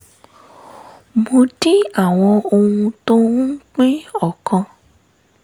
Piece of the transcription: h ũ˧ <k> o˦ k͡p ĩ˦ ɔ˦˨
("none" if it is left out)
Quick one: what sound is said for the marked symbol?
t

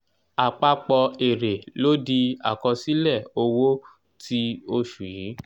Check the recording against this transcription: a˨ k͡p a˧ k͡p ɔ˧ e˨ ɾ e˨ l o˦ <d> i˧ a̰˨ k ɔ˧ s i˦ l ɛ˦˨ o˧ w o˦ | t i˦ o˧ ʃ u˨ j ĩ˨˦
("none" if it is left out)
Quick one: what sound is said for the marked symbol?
d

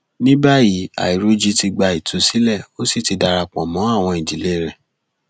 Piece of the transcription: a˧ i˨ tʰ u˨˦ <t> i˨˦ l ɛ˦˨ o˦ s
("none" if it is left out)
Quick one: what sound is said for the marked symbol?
s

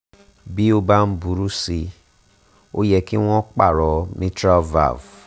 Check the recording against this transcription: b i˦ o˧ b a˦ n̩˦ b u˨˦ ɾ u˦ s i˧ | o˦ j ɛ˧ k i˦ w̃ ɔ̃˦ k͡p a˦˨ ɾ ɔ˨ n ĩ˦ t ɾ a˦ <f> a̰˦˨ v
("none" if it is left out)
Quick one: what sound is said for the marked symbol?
v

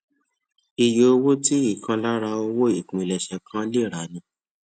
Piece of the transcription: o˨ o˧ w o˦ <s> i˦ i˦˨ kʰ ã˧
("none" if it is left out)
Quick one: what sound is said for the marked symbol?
t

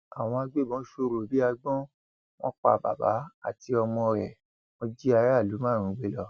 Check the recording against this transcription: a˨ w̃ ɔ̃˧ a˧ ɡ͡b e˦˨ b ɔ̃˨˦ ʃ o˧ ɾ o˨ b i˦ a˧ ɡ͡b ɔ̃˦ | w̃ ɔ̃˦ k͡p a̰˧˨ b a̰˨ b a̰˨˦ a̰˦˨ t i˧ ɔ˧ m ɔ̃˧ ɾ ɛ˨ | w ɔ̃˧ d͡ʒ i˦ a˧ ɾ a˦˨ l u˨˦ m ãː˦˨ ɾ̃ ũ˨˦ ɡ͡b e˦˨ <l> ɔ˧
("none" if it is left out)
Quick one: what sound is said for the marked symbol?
l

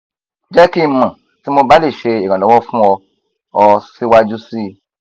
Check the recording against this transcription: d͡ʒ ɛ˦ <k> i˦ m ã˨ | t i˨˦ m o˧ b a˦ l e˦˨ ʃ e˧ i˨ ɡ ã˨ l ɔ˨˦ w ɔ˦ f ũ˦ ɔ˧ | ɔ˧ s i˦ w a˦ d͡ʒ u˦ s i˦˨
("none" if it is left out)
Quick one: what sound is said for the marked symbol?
k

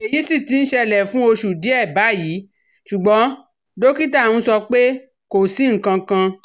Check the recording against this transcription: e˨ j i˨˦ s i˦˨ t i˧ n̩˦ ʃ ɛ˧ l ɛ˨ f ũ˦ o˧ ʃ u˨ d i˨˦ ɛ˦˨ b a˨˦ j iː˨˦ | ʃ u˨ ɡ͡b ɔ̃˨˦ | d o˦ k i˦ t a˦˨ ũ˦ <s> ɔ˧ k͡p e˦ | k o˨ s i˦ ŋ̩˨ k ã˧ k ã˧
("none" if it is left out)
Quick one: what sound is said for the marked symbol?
s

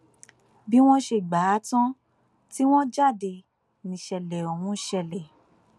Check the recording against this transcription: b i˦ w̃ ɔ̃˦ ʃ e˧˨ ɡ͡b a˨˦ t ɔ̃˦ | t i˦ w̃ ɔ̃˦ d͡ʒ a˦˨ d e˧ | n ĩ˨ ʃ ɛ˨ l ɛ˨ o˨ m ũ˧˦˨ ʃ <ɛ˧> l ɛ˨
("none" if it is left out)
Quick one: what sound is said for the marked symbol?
ɛ˧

